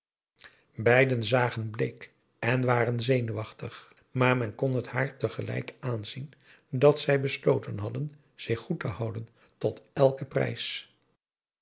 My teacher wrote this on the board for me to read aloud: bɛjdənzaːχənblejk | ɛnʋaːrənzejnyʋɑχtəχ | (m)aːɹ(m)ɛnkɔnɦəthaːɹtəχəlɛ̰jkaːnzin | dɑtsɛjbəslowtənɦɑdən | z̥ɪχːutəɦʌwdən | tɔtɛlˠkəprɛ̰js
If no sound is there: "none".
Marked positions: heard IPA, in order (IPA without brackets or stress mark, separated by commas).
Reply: m, m